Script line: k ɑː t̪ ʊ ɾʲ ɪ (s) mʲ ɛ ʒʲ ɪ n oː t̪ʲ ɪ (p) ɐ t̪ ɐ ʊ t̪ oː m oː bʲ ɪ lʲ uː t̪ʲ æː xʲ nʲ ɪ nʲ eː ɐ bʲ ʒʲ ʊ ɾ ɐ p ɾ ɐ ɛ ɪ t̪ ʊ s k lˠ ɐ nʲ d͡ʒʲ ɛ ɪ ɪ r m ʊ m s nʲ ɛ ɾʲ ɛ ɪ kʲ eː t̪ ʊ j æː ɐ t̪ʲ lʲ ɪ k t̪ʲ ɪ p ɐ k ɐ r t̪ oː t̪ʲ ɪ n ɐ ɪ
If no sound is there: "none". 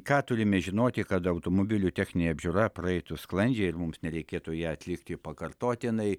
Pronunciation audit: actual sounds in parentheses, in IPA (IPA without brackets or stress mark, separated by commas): none, k